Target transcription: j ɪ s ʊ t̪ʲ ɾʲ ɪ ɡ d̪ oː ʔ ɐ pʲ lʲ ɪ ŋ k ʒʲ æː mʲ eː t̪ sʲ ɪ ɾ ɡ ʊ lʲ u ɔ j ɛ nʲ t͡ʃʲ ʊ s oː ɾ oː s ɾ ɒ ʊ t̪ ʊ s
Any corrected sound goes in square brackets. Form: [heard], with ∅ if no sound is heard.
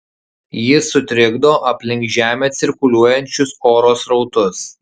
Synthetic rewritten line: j ɪ s ʊ t̪ʲ ɾʲ ɪ ɡ d̪ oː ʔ ɐ pʲ lʲ ɪ ŋ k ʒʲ æː mʲ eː t̪ sʲ ɪ ɾ [k] ʊ lʲ u ɔ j ɛ nʲ t͡ʃʲ ʊ s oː ɾ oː s ɾ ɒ ʊ t̪ ʊ s